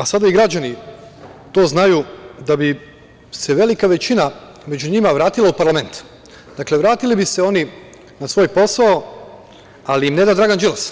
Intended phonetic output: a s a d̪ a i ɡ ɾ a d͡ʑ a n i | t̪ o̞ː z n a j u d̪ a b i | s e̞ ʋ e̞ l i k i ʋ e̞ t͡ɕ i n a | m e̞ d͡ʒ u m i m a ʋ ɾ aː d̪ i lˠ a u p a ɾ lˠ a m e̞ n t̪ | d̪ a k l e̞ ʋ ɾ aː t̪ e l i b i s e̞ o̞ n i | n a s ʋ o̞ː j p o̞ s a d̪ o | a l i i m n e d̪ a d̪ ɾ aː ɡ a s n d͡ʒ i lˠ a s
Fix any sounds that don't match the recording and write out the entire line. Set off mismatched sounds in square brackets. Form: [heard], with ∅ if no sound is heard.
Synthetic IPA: a s a d̪ a i ɡ ɾ a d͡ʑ a n i | t̪ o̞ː z n a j u d̪ a b i | s e̞ ʋ e̞ l i k [a] ʋ e̞ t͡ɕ i n a | m e̞ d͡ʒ u [ɲ] i m a ʋ ɾ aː [t̪] i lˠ a u p a ɾ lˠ a m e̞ n t̪ | d̪ a k l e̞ ʋ ɾ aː t̪ [i] l i b i s e̞ o̞ n i | n a s ʋ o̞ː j p o̞ s a [∅] o | a l i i m n e d̪ a d̪ ɾ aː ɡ a [∅] n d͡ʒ i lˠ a s